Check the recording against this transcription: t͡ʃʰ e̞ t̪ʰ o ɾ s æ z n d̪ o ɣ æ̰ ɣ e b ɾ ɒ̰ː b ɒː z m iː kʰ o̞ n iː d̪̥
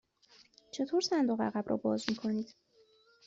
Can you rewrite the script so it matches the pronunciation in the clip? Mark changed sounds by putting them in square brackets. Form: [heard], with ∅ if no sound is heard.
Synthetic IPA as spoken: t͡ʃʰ e̞ t̪ʰ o ɾ s æ [∅] n d̪ o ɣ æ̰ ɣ [æ] b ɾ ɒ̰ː b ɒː z m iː kʰ o̞ n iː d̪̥